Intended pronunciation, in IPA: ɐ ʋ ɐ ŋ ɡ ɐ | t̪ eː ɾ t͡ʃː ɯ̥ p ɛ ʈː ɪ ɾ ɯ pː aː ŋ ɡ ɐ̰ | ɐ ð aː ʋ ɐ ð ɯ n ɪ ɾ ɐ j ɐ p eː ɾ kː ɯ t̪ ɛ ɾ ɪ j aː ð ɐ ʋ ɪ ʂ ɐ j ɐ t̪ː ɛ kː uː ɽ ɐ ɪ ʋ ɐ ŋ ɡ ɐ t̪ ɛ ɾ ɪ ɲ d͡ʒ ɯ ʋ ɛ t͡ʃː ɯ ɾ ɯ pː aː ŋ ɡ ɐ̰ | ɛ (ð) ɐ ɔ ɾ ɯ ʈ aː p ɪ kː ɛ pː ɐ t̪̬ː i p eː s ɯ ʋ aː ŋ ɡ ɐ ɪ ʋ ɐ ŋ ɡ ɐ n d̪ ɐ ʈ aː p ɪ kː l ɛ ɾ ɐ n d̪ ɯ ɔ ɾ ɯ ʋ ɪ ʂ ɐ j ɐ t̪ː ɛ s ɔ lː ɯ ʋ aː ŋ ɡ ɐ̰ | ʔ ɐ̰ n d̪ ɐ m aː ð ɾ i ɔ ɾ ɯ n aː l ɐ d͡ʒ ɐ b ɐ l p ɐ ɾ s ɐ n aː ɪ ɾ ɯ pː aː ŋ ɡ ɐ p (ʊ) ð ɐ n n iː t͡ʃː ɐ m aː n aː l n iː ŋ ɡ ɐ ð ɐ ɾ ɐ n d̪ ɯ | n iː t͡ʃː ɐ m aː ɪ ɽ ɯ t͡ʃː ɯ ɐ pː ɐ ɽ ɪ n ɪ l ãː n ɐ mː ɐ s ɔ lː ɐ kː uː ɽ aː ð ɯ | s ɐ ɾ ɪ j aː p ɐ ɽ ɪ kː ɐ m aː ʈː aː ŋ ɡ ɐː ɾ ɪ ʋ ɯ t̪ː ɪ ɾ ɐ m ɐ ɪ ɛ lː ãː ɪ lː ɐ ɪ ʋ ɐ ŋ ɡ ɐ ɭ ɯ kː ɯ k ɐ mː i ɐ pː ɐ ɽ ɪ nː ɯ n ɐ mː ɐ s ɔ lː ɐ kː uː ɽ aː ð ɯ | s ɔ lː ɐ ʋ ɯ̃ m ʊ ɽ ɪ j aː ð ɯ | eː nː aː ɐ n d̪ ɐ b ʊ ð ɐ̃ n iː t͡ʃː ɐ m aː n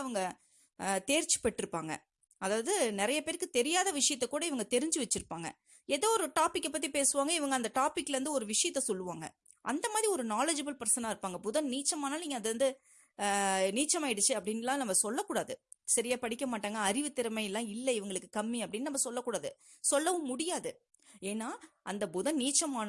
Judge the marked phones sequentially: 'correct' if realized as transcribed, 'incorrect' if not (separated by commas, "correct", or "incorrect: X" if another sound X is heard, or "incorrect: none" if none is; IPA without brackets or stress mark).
correct, correct